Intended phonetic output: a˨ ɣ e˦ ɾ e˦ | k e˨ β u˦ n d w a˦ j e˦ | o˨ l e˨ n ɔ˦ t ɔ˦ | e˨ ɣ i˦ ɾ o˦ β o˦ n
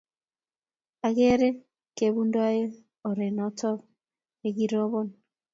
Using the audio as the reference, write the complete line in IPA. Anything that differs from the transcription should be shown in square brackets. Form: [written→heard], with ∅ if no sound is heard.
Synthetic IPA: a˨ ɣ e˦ ɾ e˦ | k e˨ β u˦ n d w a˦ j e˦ | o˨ [l→ɾ] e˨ n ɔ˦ t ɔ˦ | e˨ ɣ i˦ ɾ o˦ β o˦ n